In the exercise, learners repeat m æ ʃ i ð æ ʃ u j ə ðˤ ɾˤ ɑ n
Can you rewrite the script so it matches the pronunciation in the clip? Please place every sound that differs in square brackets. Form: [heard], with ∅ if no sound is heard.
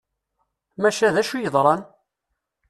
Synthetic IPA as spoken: m æ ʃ [æ] ð æ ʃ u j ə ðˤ ɾˤ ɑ n